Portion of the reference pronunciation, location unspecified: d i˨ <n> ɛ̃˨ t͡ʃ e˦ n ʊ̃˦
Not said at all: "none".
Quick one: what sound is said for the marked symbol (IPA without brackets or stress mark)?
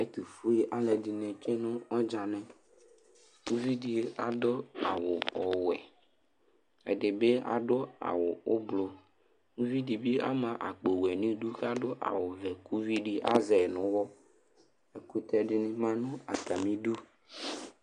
n